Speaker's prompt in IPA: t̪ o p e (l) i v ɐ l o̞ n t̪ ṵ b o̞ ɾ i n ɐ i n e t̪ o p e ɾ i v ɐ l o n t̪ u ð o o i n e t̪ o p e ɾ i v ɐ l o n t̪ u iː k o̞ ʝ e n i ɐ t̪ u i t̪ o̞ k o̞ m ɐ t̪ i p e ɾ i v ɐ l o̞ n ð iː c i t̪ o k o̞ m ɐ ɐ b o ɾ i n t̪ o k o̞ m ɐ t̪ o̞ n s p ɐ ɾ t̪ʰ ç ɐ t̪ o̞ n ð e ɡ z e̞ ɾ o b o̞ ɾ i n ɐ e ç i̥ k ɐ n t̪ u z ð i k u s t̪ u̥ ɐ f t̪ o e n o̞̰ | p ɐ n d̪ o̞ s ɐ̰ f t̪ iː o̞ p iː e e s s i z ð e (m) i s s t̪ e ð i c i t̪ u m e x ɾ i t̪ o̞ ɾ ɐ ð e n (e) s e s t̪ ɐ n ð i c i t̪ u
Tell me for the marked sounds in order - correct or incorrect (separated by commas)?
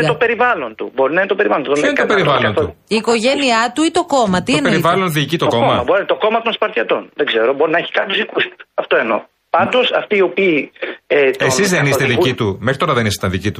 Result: incorrect, incorrect, incorrect